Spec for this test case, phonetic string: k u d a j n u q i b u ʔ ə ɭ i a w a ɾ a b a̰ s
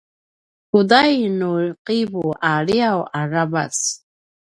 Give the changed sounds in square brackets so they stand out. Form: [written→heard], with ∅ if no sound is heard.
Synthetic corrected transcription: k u d a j n u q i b u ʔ [ə→a] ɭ i a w a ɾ a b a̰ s